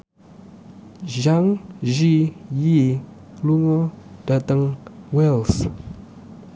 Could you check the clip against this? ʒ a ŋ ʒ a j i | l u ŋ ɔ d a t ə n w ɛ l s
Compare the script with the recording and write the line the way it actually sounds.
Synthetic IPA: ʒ a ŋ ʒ i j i | l u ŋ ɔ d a t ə ŋ w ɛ l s